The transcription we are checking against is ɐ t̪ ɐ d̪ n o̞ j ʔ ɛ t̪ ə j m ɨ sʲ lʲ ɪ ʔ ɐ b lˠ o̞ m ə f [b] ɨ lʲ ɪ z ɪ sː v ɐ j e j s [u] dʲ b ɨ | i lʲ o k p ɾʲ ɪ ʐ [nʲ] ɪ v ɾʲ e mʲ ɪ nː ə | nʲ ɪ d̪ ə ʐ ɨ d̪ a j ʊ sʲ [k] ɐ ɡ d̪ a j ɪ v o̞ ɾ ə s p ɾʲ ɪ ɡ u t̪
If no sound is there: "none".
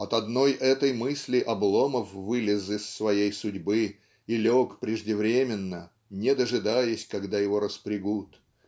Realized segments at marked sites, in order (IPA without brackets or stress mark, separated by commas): v, ʊ, dʲ, k